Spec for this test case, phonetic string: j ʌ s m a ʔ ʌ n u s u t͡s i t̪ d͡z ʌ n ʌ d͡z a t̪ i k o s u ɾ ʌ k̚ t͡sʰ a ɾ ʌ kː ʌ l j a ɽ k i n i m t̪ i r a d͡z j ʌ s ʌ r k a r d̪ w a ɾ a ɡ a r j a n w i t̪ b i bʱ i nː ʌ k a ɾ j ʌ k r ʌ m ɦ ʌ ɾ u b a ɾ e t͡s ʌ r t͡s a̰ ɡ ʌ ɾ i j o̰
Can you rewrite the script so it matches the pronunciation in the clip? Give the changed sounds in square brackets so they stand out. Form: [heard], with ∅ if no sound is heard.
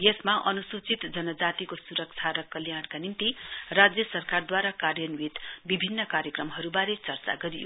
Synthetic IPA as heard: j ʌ s m a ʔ ʌ n u s u t͡s i t̪ d͡z ʌ n ʌ d͡z a t̪ i k o s u ɾ ʌ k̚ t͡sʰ a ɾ ʌ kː ʌ l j a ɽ k [a] n i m t̪ i r a d͡z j ʌ s ʌ r k a r d̪ w a ɾ a [k] a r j [ʌ] n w i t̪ b i bʱ i nː ʌ k a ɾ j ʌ k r ʌ m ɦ ʌ ɾ u b a ɾ e t͡s ʌ r t͡s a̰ ɡ ʌ ɾ i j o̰